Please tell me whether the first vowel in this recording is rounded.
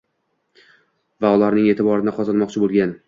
no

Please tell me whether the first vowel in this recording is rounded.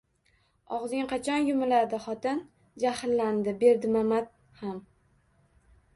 yes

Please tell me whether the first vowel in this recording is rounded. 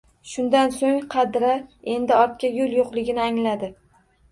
yes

